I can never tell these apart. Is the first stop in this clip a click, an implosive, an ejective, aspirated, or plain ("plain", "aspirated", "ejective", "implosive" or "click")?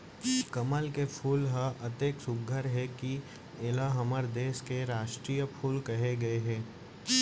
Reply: plain